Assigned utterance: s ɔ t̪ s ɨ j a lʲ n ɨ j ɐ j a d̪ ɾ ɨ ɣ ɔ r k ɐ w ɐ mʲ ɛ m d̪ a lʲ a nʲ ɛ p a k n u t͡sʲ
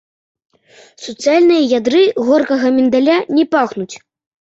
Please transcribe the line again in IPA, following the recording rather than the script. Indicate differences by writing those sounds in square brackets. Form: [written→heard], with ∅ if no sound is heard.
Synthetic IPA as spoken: s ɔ t̪ s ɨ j a lʲ n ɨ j ɐ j a d̪ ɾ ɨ ɣ ɔ r k ɐ [w→ɣ] ɐ mʲ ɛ [m→n] d̪ a lʲ a nʲ ɛ p a [k→x] n u t͡sʲ